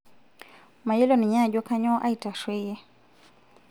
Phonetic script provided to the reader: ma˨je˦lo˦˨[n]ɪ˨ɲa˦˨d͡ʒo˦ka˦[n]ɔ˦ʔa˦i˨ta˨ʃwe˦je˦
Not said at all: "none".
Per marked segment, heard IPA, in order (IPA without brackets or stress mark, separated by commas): n, ɲ